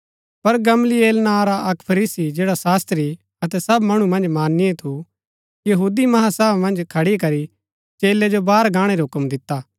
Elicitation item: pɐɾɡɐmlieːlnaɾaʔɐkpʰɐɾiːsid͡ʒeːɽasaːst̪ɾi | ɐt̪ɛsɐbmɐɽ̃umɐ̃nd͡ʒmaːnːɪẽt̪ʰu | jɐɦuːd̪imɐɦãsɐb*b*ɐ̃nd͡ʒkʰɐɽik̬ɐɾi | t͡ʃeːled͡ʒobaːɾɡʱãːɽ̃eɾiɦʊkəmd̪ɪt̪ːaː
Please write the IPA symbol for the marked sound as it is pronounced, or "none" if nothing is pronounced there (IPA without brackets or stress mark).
m